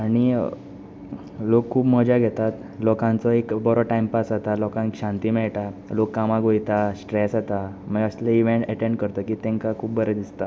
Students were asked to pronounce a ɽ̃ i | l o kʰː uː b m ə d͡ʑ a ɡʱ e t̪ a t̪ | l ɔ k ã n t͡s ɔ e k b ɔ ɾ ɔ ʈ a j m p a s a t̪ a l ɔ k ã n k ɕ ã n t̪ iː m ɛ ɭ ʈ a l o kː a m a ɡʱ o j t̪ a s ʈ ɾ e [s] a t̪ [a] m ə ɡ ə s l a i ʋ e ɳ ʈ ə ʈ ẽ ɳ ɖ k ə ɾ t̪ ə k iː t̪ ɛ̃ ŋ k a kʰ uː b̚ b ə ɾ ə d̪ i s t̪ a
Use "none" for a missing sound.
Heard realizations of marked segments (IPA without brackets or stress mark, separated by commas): s, a